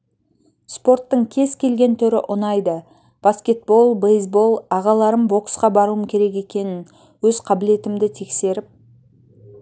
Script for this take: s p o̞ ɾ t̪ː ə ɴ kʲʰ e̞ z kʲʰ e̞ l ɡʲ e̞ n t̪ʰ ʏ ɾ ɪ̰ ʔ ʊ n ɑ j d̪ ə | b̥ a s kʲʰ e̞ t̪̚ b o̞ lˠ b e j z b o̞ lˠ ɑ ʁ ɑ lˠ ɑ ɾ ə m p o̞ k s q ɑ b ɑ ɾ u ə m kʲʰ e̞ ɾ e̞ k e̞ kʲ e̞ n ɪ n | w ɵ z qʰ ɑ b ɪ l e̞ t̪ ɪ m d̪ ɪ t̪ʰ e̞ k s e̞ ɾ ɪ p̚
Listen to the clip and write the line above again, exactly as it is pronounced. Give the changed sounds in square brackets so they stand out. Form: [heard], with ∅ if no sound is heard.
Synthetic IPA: s p o̞ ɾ t̪ː ə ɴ kʲʰ e̞ z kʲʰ e̞ l ɡʲ e̞ n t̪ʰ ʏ ɾ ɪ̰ ʔ ʊ n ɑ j d̪ ə | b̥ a s [kʲ] e̞ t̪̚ b o̞ lˠ b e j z b o̞ lˠ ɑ ʁ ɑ lˠ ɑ ɾ ə m [b] o̞ k s q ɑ b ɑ ɾ u ə m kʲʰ e̞ ɾ e̞ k e̞ kʲ e̞ n ɪ n | w ɵ z qʰ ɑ b ɪ l e̞ t̪ ɪ m d̪ ɪ t̪ʰ e̞ k s e̞ ɾ ɪ p̚